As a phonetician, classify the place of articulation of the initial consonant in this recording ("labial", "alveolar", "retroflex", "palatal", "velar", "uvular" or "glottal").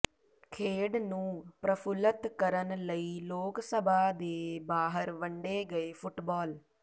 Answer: velar